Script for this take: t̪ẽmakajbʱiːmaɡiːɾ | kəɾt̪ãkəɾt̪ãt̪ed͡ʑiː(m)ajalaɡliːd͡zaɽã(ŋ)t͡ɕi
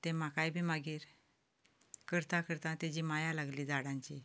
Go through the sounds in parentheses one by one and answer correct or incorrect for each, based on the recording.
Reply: correct, incorrect

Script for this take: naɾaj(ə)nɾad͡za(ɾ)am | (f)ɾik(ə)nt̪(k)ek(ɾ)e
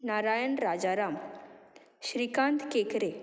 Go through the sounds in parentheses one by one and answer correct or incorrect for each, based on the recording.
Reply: correct, correct, incorrect, incorrect, correct, correct

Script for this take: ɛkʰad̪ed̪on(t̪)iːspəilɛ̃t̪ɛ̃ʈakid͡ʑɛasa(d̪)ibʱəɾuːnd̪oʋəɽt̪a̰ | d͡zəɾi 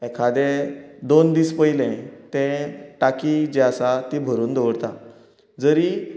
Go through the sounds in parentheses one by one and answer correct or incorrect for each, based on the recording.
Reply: incorrect, incorrect

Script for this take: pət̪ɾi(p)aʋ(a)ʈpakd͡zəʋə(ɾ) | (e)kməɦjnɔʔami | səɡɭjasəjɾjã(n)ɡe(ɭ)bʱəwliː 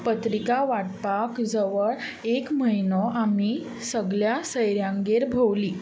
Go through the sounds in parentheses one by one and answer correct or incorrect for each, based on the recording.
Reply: incorrect, correct, incorrect, correct, incorrect, incorrect

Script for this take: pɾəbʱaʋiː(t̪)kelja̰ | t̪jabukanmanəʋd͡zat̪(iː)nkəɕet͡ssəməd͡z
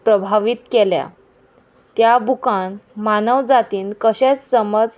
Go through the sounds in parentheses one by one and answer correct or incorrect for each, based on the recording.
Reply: correct, correct

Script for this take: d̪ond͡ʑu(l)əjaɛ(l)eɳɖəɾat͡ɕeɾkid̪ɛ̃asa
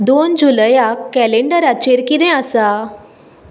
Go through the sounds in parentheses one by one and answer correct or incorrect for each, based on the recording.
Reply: correct, correct

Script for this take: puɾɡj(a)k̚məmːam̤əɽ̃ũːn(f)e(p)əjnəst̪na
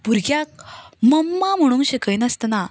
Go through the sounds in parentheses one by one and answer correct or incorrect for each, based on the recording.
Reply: correct, incorrect, incorrect

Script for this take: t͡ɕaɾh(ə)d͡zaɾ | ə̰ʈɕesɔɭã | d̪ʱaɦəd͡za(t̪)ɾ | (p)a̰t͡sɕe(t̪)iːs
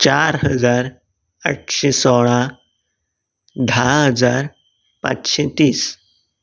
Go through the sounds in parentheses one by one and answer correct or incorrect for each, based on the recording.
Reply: correct, incorrect, correct, correct

